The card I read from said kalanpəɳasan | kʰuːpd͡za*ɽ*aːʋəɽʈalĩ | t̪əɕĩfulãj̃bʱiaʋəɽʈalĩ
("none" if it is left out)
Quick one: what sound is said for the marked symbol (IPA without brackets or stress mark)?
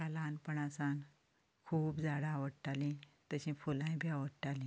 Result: ɽ